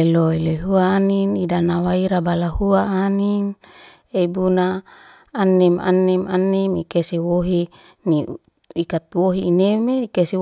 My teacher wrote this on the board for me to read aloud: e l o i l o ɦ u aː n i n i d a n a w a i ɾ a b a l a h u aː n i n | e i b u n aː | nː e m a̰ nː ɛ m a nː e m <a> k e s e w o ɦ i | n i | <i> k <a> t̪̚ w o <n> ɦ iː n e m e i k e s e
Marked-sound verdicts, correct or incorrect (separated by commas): incorrect, correct, correct, incorrect